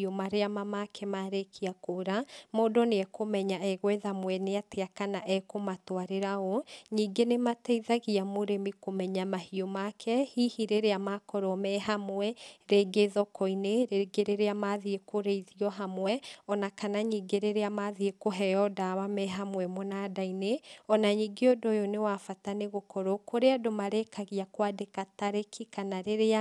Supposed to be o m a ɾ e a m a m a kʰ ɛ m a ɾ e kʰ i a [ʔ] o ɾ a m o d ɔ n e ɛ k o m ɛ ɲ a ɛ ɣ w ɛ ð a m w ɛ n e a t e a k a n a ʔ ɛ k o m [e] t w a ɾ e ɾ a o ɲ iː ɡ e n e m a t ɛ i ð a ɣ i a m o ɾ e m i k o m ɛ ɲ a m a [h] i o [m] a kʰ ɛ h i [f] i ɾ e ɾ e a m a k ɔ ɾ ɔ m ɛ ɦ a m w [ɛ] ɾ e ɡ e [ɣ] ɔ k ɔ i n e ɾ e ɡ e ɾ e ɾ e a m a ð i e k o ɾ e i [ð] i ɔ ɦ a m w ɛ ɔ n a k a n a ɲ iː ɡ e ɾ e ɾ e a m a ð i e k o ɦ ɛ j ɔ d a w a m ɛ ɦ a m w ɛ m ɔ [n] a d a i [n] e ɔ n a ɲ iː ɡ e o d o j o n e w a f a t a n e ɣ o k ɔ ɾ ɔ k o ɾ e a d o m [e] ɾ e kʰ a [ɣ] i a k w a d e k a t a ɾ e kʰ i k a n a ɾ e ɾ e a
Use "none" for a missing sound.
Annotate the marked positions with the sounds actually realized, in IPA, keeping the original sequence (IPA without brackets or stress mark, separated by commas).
k, a, h, m, h, ɛ, ð, ð, n, n, a, ɣ